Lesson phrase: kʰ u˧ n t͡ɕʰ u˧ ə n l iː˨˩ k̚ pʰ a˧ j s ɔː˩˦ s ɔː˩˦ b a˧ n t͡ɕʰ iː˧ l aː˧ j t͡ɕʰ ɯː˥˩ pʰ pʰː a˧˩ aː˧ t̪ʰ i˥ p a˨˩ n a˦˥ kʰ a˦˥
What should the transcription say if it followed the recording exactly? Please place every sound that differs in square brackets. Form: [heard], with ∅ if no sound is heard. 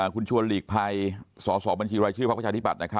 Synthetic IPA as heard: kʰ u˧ n t͡ɕʰ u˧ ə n l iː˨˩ k̚ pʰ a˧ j s ɔː˩˦ s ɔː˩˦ b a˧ n t͡ɕʰ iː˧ [ɾ] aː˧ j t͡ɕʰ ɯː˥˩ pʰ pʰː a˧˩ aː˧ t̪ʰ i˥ p a˨˩ n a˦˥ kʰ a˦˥